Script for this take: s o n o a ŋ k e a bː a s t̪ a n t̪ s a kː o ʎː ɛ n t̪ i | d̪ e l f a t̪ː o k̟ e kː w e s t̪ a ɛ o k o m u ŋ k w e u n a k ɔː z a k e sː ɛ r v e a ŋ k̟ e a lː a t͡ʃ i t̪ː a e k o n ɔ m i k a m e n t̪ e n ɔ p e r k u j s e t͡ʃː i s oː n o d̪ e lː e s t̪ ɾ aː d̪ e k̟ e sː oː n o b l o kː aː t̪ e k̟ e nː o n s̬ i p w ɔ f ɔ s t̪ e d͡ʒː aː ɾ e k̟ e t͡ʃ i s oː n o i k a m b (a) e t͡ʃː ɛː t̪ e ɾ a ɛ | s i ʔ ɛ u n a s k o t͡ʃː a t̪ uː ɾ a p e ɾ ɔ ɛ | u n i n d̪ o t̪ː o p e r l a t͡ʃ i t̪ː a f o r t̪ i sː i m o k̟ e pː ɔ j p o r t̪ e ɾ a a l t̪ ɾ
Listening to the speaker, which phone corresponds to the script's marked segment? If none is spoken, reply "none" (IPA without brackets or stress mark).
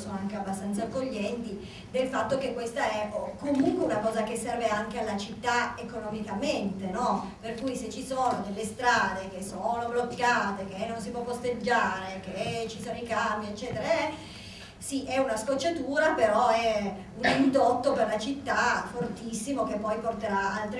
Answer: i